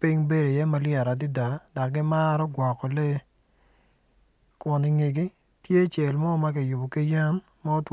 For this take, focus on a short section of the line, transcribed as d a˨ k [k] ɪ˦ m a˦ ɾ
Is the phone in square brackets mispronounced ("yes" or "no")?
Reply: yes